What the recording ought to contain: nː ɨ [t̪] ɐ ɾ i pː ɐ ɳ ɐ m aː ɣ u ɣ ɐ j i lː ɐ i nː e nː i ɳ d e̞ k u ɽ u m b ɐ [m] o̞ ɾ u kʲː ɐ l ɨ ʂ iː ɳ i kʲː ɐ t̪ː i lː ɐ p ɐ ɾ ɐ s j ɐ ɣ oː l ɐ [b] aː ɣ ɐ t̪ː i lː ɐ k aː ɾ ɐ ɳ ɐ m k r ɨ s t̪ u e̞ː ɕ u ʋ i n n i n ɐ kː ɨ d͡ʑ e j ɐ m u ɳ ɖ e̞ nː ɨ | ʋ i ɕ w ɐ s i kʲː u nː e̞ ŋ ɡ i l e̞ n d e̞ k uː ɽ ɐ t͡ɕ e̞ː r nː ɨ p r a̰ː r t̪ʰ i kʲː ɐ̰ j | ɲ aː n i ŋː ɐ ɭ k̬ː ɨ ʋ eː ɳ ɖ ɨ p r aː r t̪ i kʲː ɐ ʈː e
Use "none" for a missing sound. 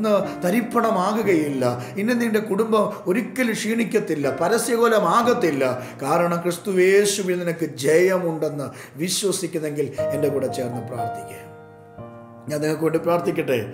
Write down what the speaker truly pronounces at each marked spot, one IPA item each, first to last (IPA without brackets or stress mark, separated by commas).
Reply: t̪, m, m